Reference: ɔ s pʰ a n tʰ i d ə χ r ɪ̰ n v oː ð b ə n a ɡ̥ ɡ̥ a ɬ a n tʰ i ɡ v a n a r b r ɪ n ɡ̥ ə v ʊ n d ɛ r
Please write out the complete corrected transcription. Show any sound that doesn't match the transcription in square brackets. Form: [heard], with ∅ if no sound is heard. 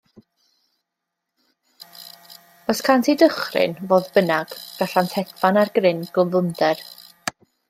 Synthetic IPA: ɔ s [kʰ] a n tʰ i d ə χ r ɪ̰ n v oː ð b ə n a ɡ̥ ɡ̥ a ɬ a n tʰ [ɛ] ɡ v a n a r [ɡ] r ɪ n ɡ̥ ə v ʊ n d ɛ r